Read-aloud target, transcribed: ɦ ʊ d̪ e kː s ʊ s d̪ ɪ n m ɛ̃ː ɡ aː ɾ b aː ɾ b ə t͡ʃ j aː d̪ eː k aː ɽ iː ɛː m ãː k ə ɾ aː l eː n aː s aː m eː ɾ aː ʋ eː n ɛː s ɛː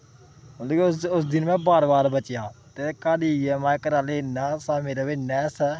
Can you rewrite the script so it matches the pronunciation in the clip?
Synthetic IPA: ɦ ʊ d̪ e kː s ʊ s d̪ ɪ n m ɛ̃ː b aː ɾ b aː ɾ b ə t͡ʃ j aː t̪ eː k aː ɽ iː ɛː m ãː k ə ɾ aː l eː n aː s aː m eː ɾ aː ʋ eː n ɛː s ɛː